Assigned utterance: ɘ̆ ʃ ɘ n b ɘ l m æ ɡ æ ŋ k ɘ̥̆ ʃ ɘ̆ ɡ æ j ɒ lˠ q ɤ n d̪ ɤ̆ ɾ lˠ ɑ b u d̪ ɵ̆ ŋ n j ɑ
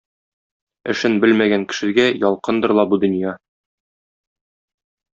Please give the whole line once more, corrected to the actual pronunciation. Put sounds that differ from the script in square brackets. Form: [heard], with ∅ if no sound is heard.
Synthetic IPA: ɘ̆ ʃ ɘ n b ɘ l m æ ɡ æ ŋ k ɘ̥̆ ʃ ɘ̆ ɡ æ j ɒ lˠ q ɤ n d̪ ɤ̆ ɾ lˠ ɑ b u d̪ ɵ̆ [∅] n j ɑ